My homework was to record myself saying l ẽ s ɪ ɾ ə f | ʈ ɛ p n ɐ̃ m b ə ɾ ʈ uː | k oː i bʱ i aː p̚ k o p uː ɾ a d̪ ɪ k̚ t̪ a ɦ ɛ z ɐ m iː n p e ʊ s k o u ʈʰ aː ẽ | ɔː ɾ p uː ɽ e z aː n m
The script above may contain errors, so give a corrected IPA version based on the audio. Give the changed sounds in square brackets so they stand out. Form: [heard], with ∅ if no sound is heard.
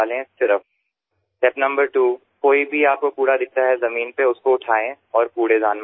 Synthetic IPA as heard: l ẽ s ɪ ɾ ə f | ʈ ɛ p n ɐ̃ m b ə ɾ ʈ uː | k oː i bʱ i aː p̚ k o p uː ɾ a d̪ ɪ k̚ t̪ a ɦ ɛ z ɐ m iː n p e ʊ s k o [ʊ] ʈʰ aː ẽ | ɔː ɾ p uː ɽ e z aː n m